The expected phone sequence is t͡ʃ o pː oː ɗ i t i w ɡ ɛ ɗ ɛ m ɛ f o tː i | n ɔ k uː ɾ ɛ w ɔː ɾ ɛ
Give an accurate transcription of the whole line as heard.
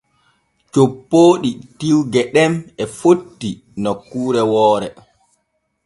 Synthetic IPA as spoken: t͡ʃ o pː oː ɗ i t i w ɡ ɛ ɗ ɛ m ɛ f o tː i | n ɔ k uː ɾ ɛ w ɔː ɾ ɛ